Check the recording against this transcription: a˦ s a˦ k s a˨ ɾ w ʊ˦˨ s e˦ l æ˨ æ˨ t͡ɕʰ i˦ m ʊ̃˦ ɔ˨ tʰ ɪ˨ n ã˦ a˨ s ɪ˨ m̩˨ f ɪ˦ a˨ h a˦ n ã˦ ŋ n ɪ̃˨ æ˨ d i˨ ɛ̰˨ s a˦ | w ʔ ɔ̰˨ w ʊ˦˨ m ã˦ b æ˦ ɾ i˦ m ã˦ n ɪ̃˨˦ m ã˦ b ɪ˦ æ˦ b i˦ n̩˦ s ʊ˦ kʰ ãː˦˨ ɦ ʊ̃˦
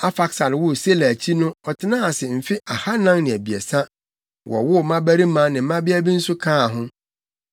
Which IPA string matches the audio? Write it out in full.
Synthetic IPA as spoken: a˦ f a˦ k s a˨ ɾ w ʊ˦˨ s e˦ l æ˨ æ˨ t͡ɕʰ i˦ n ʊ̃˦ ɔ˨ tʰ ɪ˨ n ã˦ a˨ s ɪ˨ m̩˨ f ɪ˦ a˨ h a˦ n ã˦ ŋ n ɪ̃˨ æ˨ b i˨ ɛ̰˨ s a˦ | w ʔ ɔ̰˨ w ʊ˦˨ m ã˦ b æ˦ ɾ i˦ m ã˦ n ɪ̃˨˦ m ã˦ b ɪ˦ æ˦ b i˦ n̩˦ s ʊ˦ kʰ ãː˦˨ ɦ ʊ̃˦

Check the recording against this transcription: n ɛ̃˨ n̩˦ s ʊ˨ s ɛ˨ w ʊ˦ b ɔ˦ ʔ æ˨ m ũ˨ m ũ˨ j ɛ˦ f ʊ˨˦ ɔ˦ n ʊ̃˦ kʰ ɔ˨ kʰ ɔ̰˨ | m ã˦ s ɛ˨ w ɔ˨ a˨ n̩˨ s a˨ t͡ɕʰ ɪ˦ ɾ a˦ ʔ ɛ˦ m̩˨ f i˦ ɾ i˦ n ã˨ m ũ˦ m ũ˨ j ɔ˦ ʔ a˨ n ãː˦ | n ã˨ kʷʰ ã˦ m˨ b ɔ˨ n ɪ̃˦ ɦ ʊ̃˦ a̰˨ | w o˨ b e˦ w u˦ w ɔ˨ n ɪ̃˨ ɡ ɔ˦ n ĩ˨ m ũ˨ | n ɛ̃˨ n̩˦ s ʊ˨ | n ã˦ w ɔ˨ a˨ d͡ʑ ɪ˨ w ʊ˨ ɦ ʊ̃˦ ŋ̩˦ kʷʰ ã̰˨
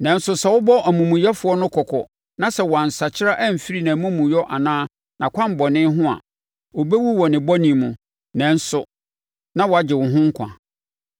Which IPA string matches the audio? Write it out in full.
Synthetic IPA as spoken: n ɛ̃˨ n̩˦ s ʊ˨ s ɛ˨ w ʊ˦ b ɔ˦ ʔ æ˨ m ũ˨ m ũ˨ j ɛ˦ f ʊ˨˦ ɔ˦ n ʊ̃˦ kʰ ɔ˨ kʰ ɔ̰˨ | n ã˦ s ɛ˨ w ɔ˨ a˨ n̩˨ s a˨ t͡ɕʰ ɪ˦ ɾ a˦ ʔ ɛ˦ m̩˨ f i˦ ɾ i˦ n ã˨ m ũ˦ m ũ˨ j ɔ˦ ʔ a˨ n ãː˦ | n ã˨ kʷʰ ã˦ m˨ b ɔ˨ n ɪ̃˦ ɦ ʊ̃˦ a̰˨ | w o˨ b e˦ w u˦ w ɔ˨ n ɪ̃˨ b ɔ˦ n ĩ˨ m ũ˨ | n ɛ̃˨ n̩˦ s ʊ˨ | n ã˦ w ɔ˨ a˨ d͡ʑ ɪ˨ w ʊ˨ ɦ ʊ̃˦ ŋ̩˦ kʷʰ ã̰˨

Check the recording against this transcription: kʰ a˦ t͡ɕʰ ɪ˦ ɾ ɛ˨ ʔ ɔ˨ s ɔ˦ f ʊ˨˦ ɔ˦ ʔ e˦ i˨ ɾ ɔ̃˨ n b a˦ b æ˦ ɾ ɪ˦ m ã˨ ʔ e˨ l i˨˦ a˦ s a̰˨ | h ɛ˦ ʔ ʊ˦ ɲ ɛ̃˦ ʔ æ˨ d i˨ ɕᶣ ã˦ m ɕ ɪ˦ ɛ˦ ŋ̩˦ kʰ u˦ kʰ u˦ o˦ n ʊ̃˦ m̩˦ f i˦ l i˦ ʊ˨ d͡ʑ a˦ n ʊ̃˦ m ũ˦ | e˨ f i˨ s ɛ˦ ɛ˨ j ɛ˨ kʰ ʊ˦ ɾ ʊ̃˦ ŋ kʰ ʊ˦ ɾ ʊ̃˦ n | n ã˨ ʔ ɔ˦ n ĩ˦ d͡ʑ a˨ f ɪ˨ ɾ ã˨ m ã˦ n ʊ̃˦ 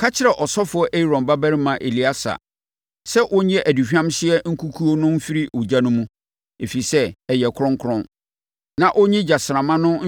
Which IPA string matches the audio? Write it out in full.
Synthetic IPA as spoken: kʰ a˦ t͡ɕʰ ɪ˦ ɾ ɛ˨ ʔ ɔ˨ s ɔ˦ f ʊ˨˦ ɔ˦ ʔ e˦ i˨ ɾ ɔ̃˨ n b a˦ b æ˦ ɾ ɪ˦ m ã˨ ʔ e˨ l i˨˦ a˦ s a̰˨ | s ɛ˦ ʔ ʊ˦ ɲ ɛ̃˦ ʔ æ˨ d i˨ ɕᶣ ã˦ m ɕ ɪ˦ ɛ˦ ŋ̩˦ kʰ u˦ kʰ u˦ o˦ n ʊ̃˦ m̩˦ f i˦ ɾ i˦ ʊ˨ d͡ʑ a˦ n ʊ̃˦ m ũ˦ | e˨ f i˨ s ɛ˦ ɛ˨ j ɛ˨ kʰ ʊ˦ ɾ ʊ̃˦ ŋ kʰ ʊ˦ ɾ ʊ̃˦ n | n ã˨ ʔ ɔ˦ ɲ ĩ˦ d͡ʑ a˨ s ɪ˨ ɾ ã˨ m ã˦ n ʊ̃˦

